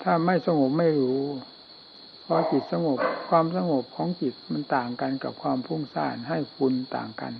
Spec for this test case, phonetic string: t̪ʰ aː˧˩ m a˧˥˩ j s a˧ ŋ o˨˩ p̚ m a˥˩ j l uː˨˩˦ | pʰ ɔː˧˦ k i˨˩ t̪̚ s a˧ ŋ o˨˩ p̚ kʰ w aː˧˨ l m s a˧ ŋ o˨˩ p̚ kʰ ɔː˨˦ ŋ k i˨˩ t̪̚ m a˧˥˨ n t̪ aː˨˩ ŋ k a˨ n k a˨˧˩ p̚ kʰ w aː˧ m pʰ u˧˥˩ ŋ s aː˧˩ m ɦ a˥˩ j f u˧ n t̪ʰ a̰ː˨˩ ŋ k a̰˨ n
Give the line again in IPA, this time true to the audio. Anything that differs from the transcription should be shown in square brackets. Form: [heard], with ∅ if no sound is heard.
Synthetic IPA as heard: t̪ʰ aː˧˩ m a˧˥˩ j s a˧ ŋ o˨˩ p̚ m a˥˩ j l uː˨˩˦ | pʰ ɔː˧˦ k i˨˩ t̪̚ s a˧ ŋ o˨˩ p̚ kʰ w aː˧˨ [∅] m s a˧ ŋ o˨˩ p̚ kʰ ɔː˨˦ ŋ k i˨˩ t̪̚ m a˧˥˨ n t̪ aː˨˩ ŋ k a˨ n k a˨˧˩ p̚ kʰ w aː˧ m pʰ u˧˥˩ ŋ s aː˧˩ [n] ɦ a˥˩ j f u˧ n [t̪] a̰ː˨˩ ŋ k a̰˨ n